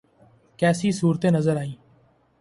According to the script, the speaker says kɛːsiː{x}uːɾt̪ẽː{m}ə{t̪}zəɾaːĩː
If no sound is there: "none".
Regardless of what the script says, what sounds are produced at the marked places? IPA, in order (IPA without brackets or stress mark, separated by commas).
s, n, none